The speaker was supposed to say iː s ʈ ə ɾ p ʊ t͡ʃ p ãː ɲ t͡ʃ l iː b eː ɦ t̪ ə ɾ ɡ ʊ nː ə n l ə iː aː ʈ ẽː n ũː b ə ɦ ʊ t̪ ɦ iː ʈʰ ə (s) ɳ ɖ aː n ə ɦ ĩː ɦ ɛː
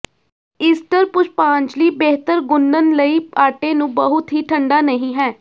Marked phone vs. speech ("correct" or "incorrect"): incorrect